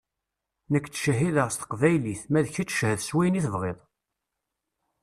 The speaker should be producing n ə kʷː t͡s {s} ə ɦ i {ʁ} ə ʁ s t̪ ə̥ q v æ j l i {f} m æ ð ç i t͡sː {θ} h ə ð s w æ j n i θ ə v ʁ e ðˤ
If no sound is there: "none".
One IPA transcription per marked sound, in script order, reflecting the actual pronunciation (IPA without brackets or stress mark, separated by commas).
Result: ʃ, ð, θ, ʃ